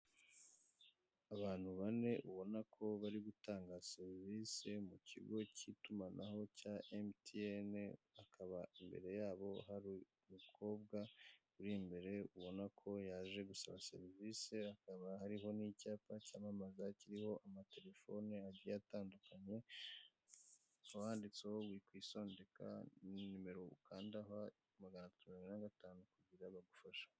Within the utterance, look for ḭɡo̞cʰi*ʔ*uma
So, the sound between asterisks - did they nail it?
no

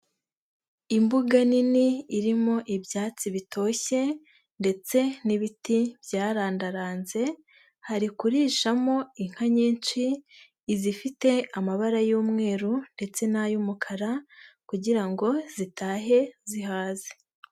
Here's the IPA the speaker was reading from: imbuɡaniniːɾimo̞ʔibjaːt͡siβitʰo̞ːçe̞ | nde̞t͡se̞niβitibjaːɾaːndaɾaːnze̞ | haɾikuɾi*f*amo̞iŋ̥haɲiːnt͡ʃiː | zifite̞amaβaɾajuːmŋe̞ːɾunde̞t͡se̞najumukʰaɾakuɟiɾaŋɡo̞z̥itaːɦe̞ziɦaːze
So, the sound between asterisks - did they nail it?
no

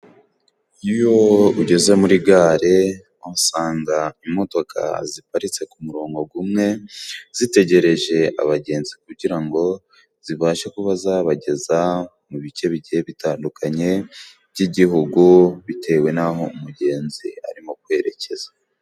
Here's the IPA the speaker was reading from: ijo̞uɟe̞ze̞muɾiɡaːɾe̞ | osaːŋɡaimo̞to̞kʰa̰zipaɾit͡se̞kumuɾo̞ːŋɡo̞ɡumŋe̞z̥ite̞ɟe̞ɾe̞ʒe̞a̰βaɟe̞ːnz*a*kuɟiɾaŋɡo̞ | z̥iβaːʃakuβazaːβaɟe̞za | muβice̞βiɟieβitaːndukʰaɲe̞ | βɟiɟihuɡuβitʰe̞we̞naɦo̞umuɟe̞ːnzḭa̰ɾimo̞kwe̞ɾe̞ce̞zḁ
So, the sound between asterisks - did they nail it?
no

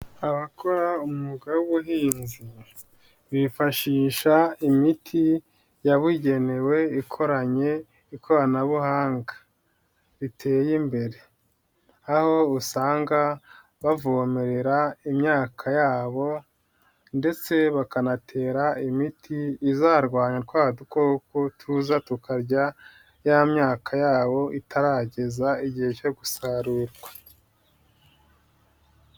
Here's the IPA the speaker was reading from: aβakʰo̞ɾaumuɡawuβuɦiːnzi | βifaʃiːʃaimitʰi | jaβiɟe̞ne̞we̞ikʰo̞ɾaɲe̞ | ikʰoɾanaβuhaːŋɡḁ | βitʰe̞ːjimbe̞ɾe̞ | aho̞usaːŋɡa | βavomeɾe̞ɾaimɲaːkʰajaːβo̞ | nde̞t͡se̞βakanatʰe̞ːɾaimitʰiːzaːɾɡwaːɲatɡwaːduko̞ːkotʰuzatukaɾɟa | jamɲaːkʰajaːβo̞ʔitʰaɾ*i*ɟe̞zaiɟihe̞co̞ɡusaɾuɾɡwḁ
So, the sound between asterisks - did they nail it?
no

